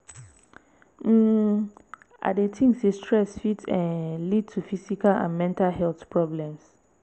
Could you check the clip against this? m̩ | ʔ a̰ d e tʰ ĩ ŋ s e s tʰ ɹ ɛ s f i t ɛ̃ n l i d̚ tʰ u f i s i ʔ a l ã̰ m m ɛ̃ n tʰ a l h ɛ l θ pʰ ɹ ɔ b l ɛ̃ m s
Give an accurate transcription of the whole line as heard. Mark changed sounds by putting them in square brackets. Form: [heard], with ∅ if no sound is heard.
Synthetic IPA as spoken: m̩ | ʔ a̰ d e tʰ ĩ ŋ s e s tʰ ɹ ɛ s f i t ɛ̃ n l i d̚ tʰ u f i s i [k] a l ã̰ [n] m ɛ̃ n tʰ a l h ɛ l θ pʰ ɹ ɔ b l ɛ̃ m s